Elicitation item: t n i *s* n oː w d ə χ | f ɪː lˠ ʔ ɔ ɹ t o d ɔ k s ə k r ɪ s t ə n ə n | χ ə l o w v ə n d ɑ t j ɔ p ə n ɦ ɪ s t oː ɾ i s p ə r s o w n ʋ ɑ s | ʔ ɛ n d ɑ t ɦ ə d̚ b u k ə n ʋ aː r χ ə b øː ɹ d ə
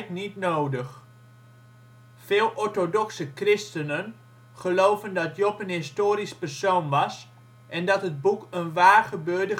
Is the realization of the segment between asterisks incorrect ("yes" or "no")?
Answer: yes